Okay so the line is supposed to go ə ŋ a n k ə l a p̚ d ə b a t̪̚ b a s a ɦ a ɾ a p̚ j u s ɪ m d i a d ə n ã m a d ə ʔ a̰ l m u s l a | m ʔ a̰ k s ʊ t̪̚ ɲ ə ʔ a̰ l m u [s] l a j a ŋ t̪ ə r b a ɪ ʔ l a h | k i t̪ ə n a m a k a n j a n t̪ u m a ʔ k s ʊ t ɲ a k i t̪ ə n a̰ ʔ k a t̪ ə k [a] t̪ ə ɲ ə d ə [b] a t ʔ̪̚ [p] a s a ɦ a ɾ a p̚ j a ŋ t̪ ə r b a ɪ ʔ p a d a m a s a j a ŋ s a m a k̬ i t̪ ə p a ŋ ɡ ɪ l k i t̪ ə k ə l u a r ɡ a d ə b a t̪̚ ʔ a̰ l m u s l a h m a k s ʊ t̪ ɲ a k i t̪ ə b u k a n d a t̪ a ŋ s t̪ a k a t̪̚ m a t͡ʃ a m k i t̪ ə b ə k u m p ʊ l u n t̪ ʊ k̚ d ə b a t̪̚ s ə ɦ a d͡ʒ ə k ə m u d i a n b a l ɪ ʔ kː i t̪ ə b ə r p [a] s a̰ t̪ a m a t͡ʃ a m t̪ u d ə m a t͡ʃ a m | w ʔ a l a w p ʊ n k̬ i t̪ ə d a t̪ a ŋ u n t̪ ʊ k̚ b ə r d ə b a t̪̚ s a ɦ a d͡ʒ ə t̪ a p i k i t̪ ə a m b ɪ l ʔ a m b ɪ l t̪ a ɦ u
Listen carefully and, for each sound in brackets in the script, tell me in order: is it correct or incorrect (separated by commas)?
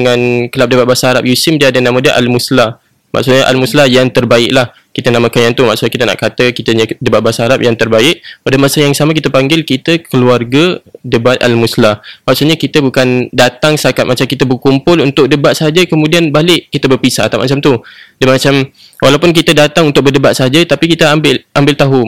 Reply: correct, incorrect, correct, incorrect, incorrect